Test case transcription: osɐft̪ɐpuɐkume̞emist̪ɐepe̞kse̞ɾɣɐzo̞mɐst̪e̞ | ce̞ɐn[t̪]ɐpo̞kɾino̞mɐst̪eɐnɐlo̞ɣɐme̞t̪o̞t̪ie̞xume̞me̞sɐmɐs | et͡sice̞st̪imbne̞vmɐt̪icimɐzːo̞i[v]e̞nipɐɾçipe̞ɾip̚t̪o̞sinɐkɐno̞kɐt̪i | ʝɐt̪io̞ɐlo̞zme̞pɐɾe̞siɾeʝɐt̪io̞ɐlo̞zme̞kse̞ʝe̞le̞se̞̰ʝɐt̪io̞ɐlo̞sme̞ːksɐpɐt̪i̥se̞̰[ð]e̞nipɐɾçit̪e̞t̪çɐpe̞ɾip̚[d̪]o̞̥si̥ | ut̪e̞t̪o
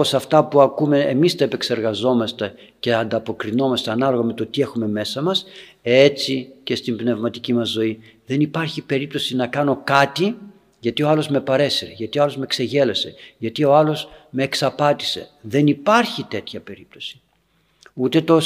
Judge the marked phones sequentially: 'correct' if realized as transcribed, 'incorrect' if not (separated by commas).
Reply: incorrect, incorrect, correct, incorrect